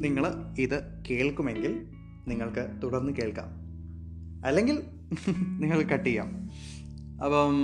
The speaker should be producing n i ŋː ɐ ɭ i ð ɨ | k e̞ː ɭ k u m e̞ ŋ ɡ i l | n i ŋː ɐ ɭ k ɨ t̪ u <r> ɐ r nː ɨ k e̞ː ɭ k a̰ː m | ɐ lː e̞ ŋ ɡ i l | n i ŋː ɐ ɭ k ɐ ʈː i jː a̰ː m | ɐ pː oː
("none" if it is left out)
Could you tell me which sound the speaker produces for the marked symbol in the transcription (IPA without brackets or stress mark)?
ɽ